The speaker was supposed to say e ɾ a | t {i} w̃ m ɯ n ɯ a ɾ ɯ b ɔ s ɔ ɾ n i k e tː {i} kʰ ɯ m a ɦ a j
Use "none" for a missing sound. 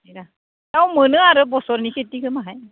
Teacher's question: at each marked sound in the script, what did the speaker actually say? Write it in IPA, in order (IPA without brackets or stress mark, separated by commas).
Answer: a, i